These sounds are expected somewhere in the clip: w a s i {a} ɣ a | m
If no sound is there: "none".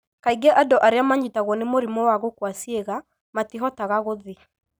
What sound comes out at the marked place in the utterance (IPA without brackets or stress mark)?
e